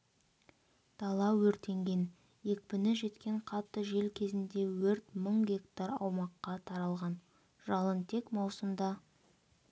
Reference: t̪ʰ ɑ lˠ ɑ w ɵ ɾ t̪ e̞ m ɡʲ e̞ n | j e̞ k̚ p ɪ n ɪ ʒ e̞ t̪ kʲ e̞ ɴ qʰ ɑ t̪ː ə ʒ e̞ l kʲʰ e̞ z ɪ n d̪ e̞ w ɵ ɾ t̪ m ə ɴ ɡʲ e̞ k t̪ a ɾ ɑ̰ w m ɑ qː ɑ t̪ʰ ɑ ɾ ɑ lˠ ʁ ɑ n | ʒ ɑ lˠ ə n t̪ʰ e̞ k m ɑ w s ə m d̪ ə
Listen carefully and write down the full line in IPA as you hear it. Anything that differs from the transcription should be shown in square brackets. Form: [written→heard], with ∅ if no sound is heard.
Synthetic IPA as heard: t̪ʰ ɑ lˠ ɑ w ɵ ɾ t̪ e̞ [m→ŋ] ɡʲ e̞ n | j e̞ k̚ p ɪ n ɪ ʒ e̞ t̪ kʲ e̞ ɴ qʰ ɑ t̪ː ə ʒ e̞ l kʲʰ e̞ z ɪ n d̪ e̞ w ɵ ɾ t̪ m ə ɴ ɡʲ e̞ k t̪ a ɾ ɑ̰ w m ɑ qː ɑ t̪ʰ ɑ ɾ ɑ lˠ ʁ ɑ n | ʒ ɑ lˠ ə n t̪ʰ e̞ k m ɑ w s ə m d̪ [ə→ɑ]